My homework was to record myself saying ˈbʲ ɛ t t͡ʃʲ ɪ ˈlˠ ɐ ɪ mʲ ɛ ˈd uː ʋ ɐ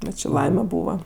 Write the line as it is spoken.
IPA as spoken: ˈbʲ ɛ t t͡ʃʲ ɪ ˈlˠ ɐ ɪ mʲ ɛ ˈb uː ʋ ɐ